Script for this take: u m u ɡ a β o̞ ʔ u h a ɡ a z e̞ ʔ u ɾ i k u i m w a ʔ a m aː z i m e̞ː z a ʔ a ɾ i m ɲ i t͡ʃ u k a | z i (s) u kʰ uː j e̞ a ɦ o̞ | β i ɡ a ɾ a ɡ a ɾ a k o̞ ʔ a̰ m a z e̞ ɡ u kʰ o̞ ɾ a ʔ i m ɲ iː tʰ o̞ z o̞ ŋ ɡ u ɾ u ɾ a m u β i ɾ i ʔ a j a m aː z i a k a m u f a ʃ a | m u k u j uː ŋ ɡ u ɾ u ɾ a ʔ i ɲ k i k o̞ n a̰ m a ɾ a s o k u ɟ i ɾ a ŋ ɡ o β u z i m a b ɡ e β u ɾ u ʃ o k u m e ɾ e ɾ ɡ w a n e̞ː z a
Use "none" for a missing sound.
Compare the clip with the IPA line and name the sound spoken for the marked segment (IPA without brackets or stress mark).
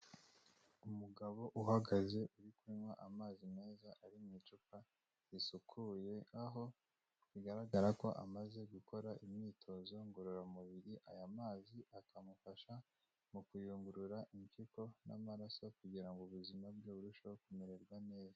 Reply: s